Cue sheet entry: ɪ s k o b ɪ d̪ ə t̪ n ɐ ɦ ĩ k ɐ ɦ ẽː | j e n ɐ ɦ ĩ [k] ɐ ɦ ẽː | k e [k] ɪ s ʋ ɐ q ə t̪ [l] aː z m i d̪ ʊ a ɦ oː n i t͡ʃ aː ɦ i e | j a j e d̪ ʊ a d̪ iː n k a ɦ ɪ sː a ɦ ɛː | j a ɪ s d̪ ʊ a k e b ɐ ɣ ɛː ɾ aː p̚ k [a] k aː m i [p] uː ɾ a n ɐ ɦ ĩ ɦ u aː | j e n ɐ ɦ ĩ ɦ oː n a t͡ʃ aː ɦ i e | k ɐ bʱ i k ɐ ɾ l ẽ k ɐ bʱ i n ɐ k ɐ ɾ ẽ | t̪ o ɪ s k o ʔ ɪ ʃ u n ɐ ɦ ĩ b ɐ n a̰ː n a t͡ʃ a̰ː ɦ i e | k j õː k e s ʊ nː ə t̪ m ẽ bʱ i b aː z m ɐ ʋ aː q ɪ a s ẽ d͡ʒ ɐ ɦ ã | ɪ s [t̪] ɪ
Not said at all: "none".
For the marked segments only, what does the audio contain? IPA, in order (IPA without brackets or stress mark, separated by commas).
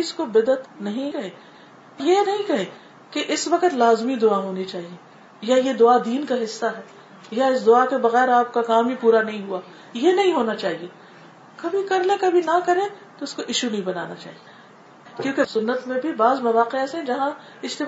k, ʔ, l, a, p, t̪